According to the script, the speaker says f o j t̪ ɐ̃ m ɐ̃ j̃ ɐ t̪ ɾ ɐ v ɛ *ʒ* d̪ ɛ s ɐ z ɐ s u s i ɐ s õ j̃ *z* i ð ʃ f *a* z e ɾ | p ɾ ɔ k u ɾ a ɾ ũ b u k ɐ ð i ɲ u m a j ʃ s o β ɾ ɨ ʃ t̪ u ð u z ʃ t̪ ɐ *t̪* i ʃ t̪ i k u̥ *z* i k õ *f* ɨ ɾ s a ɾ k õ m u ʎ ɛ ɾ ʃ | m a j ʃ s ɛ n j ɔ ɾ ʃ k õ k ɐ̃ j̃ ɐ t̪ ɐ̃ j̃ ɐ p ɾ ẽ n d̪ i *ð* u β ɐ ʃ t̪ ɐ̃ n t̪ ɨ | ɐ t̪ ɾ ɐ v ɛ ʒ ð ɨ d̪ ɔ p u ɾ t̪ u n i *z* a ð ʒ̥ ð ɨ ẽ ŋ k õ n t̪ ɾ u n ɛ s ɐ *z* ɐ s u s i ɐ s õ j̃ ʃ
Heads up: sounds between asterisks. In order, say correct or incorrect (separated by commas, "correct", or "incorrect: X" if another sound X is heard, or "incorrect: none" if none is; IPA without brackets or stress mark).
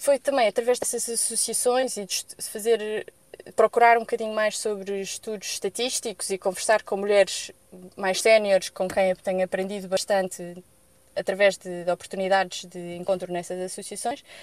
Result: correct, correct, incorrect: ɐ, correct, correct, incorrect: v, correct, incorrect: ð, correct